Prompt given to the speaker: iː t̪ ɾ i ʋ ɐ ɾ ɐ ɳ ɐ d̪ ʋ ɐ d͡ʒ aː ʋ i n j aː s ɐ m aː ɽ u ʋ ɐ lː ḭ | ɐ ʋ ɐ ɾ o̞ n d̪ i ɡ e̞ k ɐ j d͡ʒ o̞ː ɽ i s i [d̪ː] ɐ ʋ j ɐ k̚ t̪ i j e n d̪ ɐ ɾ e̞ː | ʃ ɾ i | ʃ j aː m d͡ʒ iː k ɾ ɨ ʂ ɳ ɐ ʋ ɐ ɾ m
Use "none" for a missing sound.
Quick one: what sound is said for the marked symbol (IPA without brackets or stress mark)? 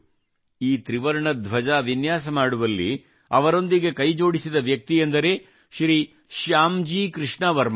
d̪